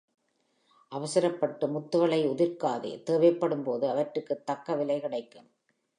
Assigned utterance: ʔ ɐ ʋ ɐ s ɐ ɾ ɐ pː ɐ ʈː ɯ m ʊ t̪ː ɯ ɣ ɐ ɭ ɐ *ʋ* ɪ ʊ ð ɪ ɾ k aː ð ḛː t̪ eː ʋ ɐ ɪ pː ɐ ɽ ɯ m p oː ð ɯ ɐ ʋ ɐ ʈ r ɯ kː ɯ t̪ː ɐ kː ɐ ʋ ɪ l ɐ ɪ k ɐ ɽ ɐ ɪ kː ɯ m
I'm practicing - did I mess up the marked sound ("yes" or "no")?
yes